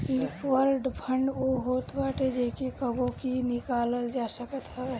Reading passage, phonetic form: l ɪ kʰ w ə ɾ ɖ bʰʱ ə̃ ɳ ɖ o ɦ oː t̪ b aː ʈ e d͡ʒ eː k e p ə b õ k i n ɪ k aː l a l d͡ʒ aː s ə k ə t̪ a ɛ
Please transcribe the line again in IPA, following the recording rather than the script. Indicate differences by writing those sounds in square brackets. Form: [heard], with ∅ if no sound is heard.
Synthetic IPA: l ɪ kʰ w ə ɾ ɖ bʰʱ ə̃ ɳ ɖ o ɦ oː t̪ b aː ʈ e d͡ʒ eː k e [k] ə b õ k i n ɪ k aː l [ə] l d͡ʒ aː s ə k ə t̪ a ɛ